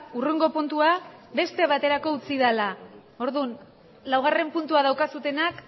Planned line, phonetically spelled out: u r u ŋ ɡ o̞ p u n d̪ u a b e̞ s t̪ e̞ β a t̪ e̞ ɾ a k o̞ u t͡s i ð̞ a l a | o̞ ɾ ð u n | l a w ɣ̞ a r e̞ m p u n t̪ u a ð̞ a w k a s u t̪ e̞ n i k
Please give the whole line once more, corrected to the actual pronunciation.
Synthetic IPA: u r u ŋ ɡ o̞ p u n t̪ u a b e̞ s t̪ e̞ β a t̪ e̞ ɾ a k o̞ u t͡s i ð̞ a l a | o̞ ɾ ð u n | l a w ɣ̞ a r e̞ m p u n t̪ u a ð̞ a w k a s u t̪ e̞ n a k